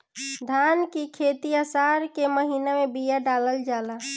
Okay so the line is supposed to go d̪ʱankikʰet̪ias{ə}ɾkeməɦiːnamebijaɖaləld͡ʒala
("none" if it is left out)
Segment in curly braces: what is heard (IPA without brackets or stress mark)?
a